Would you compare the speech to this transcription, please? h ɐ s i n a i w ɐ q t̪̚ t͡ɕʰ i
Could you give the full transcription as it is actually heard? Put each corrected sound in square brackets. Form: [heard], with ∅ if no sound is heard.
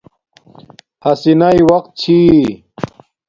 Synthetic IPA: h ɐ s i n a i w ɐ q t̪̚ t͡ɕʰ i